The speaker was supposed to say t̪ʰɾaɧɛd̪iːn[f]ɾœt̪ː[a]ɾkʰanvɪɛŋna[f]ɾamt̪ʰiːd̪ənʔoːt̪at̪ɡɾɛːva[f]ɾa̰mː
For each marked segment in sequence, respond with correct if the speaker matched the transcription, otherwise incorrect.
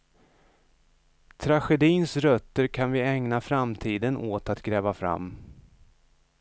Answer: incorrect: s, incorrect: ə, correct, correct

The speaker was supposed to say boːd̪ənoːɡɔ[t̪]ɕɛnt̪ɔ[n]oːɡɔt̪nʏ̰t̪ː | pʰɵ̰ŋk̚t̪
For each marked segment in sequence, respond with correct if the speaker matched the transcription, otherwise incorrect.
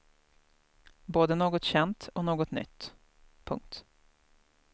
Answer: correct, correct

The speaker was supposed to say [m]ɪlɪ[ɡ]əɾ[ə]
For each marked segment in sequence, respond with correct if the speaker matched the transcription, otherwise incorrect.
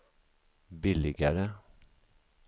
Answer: incorrect: b, correct, correct

